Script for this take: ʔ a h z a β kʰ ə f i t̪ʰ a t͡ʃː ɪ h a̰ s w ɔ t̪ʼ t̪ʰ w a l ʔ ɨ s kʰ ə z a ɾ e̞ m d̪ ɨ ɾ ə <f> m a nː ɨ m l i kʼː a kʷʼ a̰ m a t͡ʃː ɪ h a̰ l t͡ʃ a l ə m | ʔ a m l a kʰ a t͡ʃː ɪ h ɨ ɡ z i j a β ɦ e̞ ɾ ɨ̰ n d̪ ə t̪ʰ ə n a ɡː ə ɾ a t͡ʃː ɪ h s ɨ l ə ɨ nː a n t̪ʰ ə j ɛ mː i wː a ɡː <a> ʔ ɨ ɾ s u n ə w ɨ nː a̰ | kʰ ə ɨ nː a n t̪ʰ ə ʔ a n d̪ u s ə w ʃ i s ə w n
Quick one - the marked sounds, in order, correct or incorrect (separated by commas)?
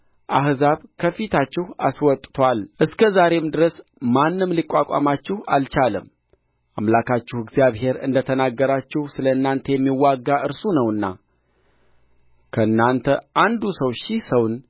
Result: incorrect, correct